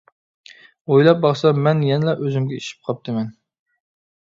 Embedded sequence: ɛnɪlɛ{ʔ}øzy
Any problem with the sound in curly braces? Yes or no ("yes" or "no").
no